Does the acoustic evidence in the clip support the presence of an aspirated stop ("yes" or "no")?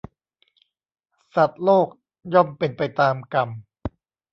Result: no